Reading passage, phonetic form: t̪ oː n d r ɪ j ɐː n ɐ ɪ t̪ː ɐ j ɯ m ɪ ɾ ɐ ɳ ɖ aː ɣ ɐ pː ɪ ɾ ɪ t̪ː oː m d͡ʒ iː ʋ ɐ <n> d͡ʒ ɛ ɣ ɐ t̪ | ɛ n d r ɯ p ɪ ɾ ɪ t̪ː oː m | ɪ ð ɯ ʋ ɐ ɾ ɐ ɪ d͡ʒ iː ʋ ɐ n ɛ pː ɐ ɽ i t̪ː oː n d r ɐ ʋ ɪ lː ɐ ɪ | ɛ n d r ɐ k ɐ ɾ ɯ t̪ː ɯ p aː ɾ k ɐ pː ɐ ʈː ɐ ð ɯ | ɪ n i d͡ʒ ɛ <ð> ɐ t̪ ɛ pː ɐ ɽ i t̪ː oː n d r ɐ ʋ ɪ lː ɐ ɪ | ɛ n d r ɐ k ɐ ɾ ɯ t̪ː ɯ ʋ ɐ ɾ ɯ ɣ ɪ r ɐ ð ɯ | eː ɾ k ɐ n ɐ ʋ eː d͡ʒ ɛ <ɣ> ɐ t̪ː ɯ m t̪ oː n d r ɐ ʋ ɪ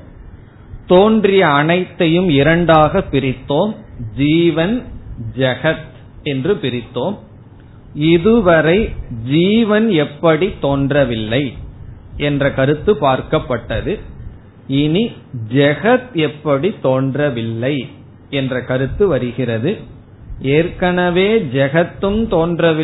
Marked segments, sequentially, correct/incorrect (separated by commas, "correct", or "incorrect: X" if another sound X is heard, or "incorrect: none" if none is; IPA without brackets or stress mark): correct, incorrect: ɣ, correct